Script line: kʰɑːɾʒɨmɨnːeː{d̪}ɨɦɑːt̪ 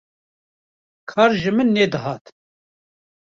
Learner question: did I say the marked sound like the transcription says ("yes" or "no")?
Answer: yes